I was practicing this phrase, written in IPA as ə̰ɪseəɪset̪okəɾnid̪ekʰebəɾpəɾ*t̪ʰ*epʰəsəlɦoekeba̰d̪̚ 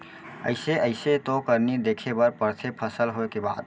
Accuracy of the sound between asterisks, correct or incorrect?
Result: correct